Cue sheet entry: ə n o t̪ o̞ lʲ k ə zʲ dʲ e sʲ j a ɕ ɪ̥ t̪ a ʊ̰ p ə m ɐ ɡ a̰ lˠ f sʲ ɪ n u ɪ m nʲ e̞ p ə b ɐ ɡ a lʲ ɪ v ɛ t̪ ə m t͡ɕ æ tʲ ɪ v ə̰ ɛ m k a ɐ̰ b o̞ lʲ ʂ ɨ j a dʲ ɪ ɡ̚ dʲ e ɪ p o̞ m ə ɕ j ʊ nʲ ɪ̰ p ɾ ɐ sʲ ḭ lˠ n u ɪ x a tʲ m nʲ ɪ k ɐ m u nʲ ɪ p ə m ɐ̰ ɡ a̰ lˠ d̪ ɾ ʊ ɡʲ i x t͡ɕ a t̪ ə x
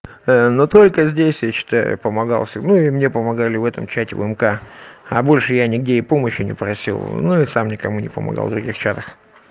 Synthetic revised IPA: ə n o t̪ o̞ lʲ k ə zʲ dʲ e sʲ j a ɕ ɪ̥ t̪ a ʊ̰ p ə m ɐ ɡ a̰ lˠ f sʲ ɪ n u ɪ m nʲ e̞ p ə m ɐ ɡ a lʲ ɪ v ɛ t̪ ə m t͡ɕ æ tʲ ɪ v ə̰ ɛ m k a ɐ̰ b o̞ lʲ ʂ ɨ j a nʲ ɪ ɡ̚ dʲ e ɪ p o̞ m ə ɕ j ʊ nʲ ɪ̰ p ɾ ɐ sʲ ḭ lˠ n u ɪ s a m nʲ ɪ k ɐ m u nʲ ɪ p ə m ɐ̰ ɡ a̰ lˠ d̪ ɾ ʊ ɡʲ i x t͡ɕ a t̪ ə x